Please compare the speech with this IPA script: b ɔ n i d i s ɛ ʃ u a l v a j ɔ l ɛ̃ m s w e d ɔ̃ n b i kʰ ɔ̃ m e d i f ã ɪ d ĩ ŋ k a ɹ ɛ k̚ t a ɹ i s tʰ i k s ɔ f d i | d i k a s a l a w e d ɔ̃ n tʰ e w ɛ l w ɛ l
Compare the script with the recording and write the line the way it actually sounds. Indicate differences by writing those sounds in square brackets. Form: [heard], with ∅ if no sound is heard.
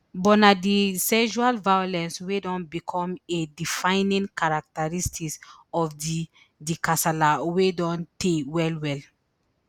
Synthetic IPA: b ɔ n [a] d i s ɛ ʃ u a l v a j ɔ l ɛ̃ [n] s w e d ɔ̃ n b i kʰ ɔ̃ m e d i f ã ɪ [n] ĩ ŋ k a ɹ [a] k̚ t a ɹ i s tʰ i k s ɔ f d i | d i k a s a l a w e d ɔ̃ n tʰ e w ɛ l w ɛ l